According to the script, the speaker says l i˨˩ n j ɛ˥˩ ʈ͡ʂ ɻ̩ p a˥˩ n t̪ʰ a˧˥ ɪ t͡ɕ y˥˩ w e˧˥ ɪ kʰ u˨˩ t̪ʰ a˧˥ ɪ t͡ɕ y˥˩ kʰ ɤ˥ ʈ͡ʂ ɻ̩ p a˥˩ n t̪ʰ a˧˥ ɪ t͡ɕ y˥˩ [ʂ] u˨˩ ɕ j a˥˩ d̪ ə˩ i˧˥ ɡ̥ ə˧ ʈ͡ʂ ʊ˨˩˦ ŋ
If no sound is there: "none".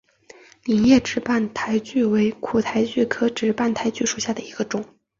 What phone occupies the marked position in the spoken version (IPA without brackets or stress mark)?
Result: ʂ